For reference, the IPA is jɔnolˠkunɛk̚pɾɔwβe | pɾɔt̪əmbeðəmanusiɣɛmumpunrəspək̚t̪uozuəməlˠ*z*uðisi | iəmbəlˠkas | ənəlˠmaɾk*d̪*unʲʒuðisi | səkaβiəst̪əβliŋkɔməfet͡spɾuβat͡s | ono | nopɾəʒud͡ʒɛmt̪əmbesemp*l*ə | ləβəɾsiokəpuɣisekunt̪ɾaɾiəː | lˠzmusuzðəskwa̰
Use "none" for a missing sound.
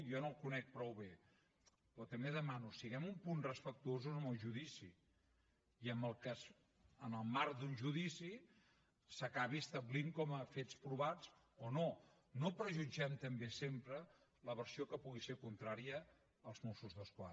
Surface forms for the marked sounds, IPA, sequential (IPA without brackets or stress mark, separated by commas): ʒ, d̪, ɾ